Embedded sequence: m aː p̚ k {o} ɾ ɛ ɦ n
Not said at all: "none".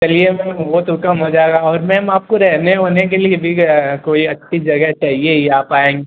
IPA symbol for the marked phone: o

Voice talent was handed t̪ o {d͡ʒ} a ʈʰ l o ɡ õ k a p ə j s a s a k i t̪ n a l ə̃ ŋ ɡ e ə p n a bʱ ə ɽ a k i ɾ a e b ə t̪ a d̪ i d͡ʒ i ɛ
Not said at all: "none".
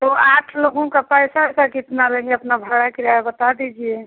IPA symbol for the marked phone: none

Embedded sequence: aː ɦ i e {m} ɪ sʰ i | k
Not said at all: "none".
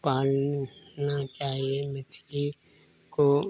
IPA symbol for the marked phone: m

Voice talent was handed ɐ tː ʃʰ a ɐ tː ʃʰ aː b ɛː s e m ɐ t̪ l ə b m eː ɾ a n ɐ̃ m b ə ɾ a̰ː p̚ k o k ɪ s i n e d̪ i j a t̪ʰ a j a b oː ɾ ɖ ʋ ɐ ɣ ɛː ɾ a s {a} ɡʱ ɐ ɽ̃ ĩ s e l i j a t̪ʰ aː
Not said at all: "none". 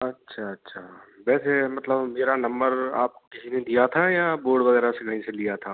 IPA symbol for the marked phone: e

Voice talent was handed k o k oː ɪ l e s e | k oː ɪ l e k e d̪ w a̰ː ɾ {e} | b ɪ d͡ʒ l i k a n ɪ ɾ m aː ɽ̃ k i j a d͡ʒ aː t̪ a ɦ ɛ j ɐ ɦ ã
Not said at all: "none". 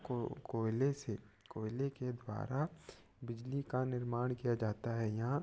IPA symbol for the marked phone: a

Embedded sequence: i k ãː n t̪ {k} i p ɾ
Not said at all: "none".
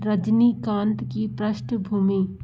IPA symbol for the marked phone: k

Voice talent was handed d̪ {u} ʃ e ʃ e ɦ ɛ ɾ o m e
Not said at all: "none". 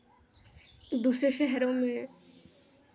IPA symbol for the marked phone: u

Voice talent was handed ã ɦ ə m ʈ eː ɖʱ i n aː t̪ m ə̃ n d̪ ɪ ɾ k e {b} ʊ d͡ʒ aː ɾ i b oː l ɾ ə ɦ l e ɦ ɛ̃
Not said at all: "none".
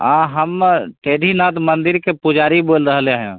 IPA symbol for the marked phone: p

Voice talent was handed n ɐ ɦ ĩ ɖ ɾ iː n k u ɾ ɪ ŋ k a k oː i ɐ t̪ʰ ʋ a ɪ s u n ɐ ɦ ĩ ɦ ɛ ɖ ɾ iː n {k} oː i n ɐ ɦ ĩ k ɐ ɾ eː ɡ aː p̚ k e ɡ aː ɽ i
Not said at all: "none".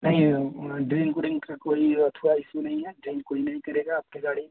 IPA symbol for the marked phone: k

